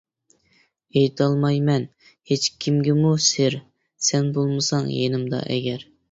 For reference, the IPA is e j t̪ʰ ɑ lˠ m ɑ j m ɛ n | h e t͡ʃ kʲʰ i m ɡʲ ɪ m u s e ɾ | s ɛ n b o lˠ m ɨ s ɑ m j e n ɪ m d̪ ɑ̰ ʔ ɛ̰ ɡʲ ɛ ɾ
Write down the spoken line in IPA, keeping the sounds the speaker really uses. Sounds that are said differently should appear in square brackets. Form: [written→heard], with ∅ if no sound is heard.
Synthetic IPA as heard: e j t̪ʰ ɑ lˠ m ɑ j m ɛ n | h e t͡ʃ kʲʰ i m ɡʲ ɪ m u s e ɾ | s ɛ n b o lˠ m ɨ s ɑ [m→ŋ] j e n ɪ m d̪ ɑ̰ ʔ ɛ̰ ɡʲ ɛ ɾ